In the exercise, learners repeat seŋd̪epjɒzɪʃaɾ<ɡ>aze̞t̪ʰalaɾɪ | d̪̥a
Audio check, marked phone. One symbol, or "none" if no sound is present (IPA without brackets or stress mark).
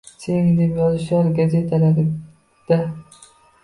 ɡ